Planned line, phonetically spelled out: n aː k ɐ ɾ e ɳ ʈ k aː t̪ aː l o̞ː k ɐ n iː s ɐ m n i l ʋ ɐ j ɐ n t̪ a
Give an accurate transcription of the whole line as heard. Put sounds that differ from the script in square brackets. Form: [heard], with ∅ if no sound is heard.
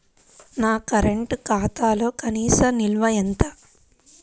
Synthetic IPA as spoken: n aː k ɐ ɾ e ɳ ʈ k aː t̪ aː l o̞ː k ɐ n iː s ɐ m n i l ʋ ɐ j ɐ n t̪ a